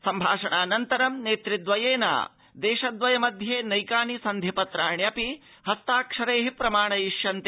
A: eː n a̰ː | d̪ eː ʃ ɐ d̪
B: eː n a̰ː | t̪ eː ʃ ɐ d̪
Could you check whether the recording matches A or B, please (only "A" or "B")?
A